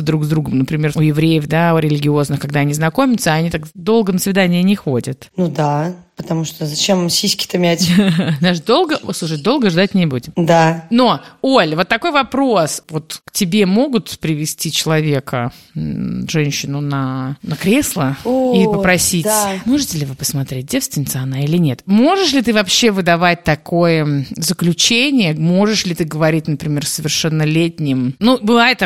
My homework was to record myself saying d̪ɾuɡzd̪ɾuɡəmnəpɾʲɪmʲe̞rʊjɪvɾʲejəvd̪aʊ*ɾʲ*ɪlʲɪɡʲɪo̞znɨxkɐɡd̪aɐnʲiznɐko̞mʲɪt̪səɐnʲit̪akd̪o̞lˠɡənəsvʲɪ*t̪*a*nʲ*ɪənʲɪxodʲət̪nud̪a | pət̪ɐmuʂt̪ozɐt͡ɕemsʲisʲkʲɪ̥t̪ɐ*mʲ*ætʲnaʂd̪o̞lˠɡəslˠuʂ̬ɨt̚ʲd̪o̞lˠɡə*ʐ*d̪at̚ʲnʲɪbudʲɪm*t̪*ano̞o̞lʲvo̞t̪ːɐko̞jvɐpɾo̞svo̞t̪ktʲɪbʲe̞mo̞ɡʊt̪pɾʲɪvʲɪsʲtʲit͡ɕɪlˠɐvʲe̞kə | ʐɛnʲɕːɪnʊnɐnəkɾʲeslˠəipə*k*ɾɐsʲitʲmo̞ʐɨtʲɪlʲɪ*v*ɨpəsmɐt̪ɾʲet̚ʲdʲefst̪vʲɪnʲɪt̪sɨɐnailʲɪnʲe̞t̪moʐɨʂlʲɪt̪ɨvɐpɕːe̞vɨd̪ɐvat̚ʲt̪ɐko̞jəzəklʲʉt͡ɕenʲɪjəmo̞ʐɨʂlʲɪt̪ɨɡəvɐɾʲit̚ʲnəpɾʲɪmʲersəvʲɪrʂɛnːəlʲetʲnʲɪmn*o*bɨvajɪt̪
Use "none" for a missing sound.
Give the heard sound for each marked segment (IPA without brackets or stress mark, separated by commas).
ɾʲ, d̪, nʲ, mʲ, ʐ, d̪, p, v, u